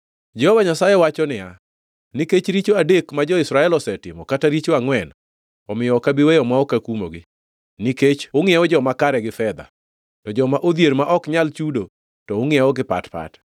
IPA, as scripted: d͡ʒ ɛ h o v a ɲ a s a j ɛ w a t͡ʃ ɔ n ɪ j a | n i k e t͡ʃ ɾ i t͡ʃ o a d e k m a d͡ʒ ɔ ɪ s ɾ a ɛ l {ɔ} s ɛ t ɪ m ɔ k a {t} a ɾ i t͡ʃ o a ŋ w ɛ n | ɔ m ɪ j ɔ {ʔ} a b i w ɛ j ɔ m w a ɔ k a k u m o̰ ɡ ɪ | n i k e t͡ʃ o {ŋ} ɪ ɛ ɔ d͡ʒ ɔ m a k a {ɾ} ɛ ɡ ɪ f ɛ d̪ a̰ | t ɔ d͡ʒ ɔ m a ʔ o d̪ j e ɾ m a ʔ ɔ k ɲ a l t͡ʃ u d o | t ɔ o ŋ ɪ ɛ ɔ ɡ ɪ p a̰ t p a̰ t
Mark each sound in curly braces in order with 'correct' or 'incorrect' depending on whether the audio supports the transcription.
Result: correct, correct, incorrect, correct, correct

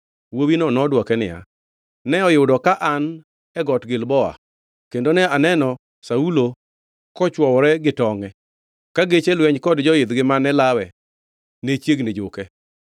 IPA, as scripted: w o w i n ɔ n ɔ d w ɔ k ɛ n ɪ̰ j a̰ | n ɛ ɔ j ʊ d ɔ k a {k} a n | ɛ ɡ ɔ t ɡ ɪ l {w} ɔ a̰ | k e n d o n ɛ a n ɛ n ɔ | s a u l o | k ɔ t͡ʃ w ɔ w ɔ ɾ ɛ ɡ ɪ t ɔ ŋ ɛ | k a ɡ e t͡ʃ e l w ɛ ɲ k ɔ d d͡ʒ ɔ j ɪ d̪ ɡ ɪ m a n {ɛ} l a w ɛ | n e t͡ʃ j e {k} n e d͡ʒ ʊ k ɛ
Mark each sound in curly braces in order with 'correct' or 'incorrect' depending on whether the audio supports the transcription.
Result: incorrect, incorrect, correct, incorrect

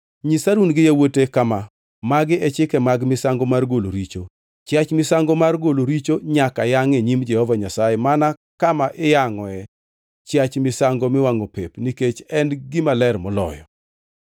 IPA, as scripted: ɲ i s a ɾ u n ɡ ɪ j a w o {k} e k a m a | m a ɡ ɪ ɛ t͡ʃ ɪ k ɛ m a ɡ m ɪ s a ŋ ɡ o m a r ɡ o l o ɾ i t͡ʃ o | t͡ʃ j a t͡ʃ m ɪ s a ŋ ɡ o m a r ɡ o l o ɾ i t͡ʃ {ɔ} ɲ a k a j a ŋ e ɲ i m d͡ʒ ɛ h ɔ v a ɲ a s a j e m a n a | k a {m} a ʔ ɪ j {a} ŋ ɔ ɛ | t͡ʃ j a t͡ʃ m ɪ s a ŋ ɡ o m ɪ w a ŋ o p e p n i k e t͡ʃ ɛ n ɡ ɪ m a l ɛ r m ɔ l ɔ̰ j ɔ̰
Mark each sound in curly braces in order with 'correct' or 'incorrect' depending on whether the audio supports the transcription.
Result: incorrect, incorrect, correct, correct

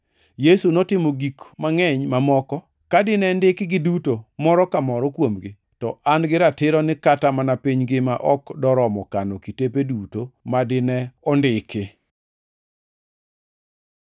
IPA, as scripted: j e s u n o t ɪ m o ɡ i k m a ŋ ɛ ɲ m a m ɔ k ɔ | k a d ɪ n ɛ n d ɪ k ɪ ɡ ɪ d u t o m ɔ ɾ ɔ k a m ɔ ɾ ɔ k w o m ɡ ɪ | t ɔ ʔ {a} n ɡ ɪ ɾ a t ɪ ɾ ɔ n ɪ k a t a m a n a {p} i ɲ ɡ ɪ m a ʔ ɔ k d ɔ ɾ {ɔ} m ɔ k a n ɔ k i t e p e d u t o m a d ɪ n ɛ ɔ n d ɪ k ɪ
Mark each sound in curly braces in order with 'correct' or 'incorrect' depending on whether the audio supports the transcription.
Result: correct, correct, correct

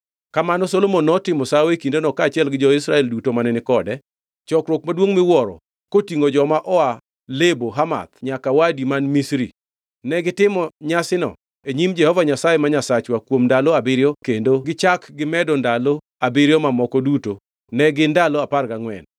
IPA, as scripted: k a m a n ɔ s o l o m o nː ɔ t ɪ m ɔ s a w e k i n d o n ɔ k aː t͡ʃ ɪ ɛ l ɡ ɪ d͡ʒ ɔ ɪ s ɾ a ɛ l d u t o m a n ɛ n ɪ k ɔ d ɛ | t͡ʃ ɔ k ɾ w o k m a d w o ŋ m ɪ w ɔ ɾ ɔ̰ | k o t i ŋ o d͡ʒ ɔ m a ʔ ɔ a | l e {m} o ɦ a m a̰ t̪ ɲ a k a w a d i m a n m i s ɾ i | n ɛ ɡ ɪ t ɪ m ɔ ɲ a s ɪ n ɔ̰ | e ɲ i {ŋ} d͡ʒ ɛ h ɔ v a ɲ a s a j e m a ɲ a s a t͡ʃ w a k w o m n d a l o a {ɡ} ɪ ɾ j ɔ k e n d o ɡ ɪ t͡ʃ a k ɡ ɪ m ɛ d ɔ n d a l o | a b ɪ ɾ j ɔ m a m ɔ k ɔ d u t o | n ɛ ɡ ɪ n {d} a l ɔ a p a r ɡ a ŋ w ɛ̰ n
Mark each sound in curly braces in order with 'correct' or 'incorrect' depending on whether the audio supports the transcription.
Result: incorrect, incorrect, incorrect, correct

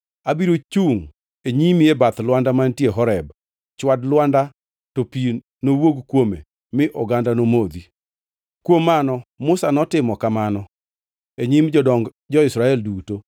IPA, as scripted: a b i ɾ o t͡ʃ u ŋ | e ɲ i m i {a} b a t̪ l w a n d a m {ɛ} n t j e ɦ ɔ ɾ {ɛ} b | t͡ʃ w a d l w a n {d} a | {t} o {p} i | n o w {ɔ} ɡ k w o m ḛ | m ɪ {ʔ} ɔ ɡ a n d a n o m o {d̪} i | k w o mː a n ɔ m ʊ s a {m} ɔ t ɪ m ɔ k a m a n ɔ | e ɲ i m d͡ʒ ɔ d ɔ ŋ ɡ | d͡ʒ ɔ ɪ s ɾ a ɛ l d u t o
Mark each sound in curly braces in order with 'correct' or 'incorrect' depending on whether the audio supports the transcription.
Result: incorrect, incorrect, correct, correct, correct, correct, incorrect, correct, correct, incorrect

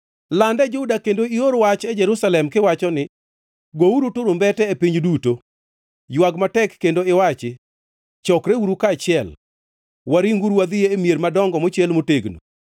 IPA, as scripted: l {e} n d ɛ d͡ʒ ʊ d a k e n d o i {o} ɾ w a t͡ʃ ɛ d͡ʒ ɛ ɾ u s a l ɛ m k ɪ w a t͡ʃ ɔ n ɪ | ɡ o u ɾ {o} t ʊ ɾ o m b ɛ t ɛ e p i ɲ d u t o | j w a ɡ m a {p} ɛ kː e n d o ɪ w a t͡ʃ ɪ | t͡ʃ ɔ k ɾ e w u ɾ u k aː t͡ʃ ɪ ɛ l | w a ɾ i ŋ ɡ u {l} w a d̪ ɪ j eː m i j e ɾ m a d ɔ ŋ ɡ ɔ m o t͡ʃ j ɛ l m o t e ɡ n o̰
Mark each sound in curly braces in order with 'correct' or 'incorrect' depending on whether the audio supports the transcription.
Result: incorrect, correct, incorrect, incorrect, incorrect

